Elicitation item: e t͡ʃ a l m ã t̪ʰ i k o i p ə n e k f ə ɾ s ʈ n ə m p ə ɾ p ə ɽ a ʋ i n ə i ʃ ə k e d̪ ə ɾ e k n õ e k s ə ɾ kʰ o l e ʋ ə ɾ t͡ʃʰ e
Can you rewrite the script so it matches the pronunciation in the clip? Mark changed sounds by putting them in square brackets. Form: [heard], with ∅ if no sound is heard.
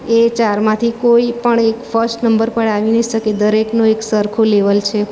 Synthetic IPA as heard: e t͡ʃ a [ɾ] m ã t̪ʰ i k o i p ə [ɳ] e k f ə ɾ s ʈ n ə m [b] ə ɾ p ə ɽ a ʋ i n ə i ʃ ə k e d̪ ə ɾ e k n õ e k s ə ɾ kʰ o l e ʋ ə [l] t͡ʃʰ e